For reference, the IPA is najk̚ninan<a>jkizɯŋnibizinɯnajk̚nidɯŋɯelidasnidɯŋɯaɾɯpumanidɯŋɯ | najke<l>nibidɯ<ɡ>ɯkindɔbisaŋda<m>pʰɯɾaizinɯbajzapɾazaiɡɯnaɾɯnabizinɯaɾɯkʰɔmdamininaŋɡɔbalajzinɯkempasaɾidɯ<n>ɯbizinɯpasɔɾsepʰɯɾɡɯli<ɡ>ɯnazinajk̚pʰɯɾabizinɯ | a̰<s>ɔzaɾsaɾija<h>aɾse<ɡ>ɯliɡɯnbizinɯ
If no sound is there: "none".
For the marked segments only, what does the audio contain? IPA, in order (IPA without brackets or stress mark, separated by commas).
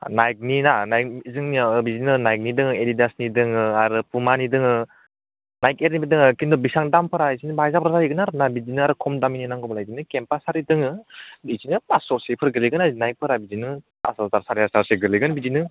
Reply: a, ɾ, ŋ, m, ŋ, ɡ, s, s, ɡ